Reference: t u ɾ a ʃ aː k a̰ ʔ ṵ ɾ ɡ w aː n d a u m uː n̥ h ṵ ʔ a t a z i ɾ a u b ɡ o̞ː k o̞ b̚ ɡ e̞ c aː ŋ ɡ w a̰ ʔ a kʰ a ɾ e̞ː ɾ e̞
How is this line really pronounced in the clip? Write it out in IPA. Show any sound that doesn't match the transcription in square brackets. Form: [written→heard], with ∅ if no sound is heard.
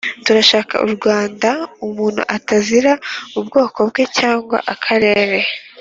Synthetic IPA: t u ɾ a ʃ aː k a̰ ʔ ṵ ɾ ɡ w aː n d a u m uː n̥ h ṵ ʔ a t a z i ɾ a u b ɡ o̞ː k o̞ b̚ ɡ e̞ c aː ŋ ɡ w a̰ ʔ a kʰ a ɾ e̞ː ɾ e̞

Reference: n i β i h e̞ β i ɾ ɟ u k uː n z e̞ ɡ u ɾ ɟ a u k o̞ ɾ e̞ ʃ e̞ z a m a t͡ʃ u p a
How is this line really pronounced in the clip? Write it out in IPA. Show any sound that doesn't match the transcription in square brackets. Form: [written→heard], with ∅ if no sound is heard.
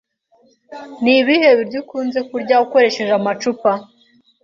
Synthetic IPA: n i β i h e̞ β i ɾ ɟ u k uː n z e̞ [ɡ→k] u ɾ ɟ a u k o̞ ɾ e̞ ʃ e̞ [z→ʒ] a m a t͡ʃ u p a

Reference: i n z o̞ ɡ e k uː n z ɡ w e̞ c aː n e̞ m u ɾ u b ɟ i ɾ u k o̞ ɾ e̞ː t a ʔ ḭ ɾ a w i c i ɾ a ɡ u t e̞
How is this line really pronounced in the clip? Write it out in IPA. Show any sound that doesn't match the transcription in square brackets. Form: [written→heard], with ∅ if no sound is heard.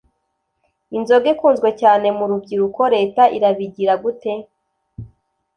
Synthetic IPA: i n z o̞ ɡ e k uː n z ɡ w e̞ c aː n e̞ m u ɾ u b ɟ i ɾ u k o̞ ɾ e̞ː t a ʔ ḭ ɾ a [w→β] i [c→ɟ] i ɾ a ɡ u t e̞

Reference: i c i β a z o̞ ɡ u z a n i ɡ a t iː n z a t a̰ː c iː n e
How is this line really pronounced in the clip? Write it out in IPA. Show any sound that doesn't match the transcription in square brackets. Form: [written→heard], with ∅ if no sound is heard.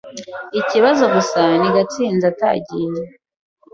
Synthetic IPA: i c i β a z o̞ ɡ u [z→s] a n i ɡ a [t→t͡s] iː n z a t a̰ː [c→ɟ] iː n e

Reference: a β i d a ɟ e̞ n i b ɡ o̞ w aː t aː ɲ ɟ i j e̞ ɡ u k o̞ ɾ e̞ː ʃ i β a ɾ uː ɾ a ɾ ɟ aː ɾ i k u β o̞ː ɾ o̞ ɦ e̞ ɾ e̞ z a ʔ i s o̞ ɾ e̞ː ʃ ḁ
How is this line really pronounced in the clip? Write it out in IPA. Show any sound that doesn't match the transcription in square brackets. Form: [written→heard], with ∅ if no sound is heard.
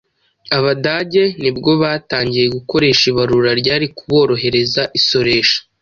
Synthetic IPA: a β [i→a] d a ɟ e̞ n i b ɡ o̞ [w→β] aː t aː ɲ ɟ i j e̞ ɡ u k o̞ ɾ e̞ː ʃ i β a ɾ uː ɾ a ɾ ɟ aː ɾ i k u β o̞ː ɾ o̞ ɦ e̞ ɾ e̞ z a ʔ i s o̞ ɾ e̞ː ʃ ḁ

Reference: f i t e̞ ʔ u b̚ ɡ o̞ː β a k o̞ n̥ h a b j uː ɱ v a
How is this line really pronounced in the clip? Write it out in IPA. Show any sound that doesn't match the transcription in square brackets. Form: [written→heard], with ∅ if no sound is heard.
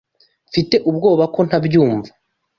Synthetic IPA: f i t e̞ ʔ u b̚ ɡ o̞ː β a k o̞ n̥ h a b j uː ɱ v a

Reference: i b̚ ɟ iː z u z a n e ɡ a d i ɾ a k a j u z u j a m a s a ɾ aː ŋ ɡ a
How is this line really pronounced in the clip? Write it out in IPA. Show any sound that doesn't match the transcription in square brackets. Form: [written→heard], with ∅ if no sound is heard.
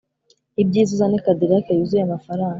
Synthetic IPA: i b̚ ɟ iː z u z a n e [ɡ→k] a d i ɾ a k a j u z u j a m a [s→f] a ɾ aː ŋ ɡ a

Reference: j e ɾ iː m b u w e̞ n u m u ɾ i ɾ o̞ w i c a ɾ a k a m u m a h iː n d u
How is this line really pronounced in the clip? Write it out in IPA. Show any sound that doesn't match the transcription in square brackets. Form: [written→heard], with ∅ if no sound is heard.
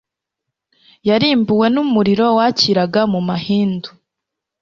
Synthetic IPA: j [e→a] ɾ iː m b u w e̞ n u m u ɾ i ɾ o̞ w [i→a] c [a→i] ɾ a [k→ɡ] a m u m a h iː n d u

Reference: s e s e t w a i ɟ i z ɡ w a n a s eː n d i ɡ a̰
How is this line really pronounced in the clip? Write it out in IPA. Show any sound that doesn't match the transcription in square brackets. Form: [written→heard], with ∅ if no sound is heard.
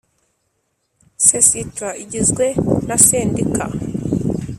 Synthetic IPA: s e s [e→i] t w a i ɟ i z ɡ w [a→e] n a s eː n d i [ɡ→k] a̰

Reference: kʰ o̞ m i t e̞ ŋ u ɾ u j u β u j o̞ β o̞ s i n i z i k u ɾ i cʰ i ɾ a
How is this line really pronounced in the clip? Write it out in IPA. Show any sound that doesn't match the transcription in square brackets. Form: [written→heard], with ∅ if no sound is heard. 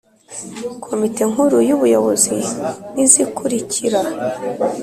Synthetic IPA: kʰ o̞ m i t e̞ ŋ u ɾ u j u β u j o̞ β o̞ [s→z] i n i z i k u ɾ i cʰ i ɾ a

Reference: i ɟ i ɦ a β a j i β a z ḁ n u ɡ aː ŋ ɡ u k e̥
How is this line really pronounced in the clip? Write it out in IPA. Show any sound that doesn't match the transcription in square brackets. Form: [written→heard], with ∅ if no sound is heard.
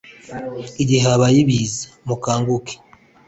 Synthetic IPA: i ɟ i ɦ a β a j i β [a→i] z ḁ [n→m] u [ɡ→k] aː ŋ ɡ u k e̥

